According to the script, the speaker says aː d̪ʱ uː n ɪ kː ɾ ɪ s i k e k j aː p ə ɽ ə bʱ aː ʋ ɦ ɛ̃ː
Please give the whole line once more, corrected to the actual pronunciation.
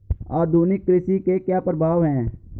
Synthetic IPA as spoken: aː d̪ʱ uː n ɪ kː ɾ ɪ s i k e k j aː p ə ɾ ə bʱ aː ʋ ɦ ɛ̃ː

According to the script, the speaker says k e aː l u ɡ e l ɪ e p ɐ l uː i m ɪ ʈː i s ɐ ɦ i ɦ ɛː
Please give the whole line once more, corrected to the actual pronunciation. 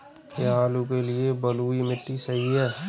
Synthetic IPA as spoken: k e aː l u k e l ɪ e b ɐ l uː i m ɪ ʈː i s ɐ ɦ i ɦ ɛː

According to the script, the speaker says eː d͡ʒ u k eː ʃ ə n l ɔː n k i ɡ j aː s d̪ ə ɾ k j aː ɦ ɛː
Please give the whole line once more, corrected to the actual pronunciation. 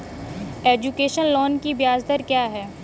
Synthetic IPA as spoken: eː d͡ʒ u k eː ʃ ə n l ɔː n k i b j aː z d̪ ə ɾ k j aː ɦ ɛː

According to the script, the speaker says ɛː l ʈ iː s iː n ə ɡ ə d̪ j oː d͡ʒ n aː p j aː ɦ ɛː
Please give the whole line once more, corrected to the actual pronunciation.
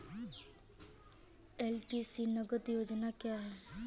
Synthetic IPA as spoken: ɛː l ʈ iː s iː n ə ɡ ə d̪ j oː d͡ʒ n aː k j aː ɦ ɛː

